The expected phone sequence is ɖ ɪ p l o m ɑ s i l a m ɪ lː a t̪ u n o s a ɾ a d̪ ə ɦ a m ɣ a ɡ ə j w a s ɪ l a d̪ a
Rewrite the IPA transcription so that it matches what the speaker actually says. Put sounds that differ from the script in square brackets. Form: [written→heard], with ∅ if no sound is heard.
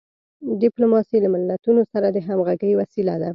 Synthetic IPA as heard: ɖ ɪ p l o m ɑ s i l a m ɪ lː a t̪ u n o s a ɾ a d̪ ə ɦ a m ɣ a ɡ ə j w a s [ɪ→i] l a d̪ a